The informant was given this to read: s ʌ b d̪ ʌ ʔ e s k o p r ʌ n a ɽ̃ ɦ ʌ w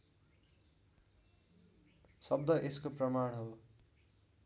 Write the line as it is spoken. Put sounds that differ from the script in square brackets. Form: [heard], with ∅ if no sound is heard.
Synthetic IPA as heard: s ʌ b d̪ ʌ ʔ e s k o p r ʌ [m] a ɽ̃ ɦ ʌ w